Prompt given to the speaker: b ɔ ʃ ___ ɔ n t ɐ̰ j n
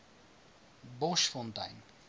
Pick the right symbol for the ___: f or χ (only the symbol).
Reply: f